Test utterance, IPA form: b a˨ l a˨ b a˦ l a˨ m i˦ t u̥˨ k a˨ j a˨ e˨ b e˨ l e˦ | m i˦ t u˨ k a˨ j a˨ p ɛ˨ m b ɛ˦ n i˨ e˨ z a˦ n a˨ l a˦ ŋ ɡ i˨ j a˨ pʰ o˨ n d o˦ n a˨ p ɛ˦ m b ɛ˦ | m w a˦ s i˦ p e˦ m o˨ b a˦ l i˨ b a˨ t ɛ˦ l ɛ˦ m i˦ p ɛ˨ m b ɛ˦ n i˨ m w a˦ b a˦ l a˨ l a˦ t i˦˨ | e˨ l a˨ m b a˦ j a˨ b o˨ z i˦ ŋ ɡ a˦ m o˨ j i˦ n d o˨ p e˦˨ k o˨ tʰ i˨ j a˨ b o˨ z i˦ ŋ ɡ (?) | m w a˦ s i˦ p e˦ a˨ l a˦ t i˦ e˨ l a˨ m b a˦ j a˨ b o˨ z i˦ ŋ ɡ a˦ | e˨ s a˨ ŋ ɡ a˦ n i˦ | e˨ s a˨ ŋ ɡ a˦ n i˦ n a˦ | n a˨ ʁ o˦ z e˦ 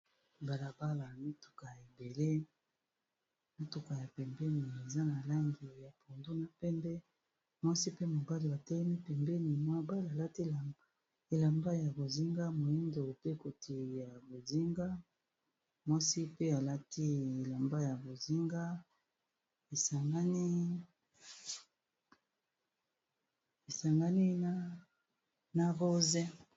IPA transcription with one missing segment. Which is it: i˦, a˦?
a˦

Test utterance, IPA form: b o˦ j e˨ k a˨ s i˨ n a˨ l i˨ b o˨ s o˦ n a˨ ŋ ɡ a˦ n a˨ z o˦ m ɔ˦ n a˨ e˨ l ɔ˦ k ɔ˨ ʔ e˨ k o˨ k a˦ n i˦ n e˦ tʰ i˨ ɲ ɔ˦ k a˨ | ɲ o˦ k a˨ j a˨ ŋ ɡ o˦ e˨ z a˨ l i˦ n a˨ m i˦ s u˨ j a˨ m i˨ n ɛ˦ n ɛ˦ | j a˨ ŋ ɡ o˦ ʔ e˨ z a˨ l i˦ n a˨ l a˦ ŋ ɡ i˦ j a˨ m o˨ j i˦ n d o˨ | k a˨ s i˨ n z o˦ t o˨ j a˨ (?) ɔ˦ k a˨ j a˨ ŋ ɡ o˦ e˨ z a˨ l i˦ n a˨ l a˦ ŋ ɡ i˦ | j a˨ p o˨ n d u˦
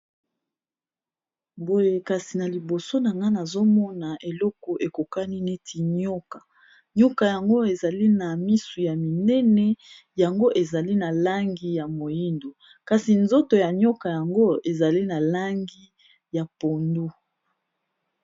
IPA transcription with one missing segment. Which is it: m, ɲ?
ɲ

